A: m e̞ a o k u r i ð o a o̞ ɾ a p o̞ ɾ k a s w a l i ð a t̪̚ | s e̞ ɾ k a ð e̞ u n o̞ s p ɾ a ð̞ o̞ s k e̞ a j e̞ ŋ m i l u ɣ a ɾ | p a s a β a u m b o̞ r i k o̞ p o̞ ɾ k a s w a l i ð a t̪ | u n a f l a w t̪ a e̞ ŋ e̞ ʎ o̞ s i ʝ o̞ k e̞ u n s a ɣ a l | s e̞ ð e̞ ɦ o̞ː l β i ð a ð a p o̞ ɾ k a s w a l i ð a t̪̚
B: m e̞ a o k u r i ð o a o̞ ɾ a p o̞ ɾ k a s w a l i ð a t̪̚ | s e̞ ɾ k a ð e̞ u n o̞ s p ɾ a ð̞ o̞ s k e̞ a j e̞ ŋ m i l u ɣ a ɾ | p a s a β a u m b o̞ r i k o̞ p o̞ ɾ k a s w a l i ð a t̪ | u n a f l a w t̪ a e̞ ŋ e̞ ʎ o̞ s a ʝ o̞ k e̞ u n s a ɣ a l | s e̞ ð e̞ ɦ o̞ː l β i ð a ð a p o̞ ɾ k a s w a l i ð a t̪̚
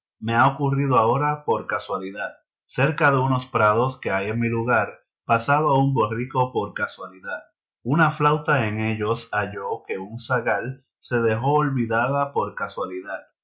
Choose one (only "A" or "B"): B